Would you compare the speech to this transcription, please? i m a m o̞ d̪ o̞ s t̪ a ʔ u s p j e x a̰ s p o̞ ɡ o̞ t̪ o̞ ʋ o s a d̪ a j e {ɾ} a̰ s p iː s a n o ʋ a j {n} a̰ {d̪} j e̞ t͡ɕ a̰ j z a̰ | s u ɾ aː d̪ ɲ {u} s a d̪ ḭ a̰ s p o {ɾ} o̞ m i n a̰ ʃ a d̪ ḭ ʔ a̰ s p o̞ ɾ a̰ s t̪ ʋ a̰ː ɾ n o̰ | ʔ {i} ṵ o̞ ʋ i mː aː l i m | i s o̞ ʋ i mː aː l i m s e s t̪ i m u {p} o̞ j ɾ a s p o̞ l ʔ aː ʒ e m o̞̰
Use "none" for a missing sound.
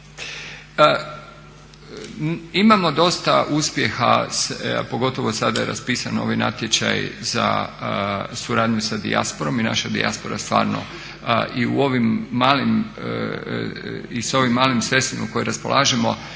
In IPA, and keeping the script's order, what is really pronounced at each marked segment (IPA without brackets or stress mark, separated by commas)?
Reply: ɾ, n, t̪, u, ɾ, i, k